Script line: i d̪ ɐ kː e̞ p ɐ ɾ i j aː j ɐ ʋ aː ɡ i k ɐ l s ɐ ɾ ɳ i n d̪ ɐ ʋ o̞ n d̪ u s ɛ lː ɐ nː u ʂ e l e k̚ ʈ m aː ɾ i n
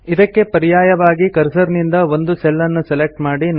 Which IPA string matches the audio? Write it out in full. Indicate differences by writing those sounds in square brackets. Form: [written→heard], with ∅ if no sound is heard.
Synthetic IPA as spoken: i d̪ ɐ kː e̞ p ɐ ɾ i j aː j ɐ ʋ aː ɡ i k ɐ [l→ɾ] s ɐ ɾ [ɳ→n] i n d̪ ɐ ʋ o̞ n d̪ u s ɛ lː ɐ nː u [ʂ→s] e l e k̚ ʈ m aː [ɾ→ɽ] i n